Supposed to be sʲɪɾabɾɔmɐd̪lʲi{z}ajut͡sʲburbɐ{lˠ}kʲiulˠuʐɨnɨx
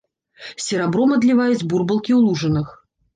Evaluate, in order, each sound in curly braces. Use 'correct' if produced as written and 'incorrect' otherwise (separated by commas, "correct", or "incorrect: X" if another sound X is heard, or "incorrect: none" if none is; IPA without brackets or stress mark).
incorrect: v, correct